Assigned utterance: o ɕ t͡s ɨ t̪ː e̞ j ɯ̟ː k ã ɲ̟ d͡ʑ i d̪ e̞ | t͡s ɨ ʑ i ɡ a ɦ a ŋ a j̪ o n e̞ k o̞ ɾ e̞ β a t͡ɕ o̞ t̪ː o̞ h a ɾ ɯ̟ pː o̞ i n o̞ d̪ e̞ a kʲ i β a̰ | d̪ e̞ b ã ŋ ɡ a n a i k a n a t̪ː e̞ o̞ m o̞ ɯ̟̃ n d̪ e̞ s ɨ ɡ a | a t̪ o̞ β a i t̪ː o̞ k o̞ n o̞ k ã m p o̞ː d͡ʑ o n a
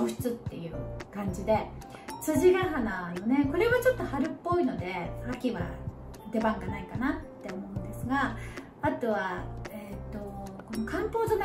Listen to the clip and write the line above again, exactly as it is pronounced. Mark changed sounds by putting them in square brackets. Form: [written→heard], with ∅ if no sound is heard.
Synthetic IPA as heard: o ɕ t͡s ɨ t̪ː e̞ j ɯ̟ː k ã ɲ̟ d͡ʑ i d̪ e̞ | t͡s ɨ ʑ i ɡ a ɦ a [ŋ→n] a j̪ o n e̞ k o̞ ɾ e̞ β a t͡ɕ o̞ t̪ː o̞ h a ɾ ɯ̟ pː o̞ i n o̞ d̪ e̞ a kʲ i β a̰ | d̪ e̞ b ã ŋ ɡ a n a i k a n a t̪ː e̞ o̞ m o̞ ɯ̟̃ n d̪ e̞ s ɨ ɡ a | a t̪ o̞ β a [i→e] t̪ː o̞ k o̞ n o̞ k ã m p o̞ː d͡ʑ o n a

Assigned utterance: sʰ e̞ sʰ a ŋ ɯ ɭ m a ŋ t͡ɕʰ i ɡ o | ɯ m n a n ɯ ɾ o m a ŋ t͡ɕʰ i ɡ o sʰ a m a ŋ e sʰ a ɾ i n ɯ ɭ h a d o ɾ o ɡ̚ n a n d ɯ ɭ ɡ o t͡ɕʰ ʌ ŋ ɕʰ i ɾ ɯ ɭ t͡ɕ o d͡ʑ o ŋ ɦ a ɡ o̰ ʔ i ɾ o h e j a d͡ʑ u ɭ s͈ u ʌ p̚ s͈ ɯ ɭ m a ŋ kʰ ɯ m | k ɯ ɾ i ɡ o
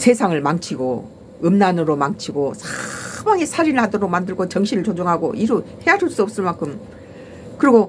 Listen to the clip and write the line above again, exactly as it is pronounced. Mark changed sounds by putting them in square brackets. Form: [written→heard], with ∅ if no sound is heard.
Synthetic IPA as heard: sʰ e̞ sʰ a ŋ ɯ ɭ m a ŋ t͡ɕʰ i ɡ o | ɯ m n a n ɯ ɾ o m a ŋ t͡ɕʰ i ɡ o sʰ a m a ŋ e sʰ a ɾ i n ɯ ɭ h a d o ɾ o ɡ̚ [n→m] a n d ɯ ɭ ɡ o [t͡ɕʰ→t͡ɕ] ʌ ŋ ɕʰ i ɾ ɯ ɭ t͡ɕ o d͡ʑ o ŋ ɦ a ɡ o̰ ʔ i ɾ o h e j a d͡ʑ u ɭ s͈ u ʌ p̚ s͈ ɯ ɭ m a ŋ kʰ ɯ m | k ɯ ɾ i ɡ o

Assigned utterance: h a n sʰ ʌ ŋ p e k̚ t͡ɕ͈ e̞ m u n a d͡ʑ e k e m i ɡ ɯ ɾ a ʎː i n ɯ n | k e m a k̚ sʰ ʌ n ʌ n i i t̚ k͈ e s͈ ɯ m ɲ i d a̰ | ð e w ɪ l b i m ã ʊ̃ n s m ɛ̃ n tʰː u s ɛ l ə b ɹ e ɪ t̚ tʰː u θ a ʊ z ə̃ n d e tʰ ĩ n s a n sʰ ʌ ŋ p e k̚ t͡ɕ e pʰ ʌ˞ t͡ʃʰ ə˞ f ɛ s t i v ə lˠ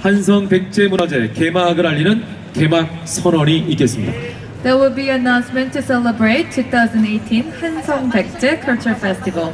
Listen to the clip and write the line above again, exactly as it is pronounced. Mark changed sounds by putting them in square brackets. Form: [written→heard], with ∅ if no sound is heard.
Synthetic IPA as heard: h a n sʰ ʌ ŋ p e k̚ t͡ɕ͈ e̞ m u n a d͡ʑ e k e m [i→a] ɡ ɯ ɾ a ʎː i n ɯ n | k e m a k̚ sʰ ʌ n ʌ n i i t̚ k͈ e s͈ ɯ m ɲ i d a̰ | ð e w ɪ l b i [m→n] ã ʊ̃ n s m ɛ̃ n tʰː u s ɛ l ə b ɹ e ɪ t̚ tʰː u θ a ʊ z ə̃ n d e tʰ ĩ n [s→h] a n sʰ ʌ ŋ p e k̚ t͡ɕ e [pʰ→kʰ] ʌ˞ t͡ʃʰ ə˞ f ɛ s t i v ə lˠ

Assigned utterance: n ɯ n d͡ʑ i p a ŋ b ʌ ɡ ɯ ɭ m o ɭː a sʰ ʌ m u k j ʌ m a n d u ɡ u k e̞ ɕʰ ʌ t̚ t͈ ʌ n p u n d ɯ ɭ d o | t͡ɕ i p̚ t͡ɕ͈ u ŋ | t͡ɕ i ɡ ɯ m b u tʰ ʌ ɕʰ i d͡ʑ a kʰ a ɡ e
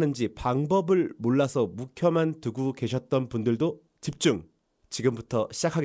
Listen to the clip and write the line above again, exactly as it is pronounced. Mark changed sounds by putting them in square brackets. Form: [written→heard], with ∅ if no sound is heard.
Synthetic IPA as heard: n ɯ n d͡ʑ i p a ŋ b ʌ [ɡ→b] ɯ ɭ m o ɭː a sʰ ʌ m u [k→kʰ] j ʌ m a n [d→t] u ɡ u k e̞ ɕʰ ʌ t̚ t͈ ʌ n p u n d ɯ ɭ d o | t͡ɕ i p̚ t͡ɕ͈ u ŋ | t͡ɕ i ɡ ɯ m b u tʰ ʌ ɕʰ i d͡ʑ a kʰ a ɡ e

